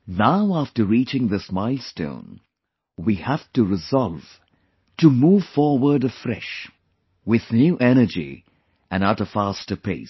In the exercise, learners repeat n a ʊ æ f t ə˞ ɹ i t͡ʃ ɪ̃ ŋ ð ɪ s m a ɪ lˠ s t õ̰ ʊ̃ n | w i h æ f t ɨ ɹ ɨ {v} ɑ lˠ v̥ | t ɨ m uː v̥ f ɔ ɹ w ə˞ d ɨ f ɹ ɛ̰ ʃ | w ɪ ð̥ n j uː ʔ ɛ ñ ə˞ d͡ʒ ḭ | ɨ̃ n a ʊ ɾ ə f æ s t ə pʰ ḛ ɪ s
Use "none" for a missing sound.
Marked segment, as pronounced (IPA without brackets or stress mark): z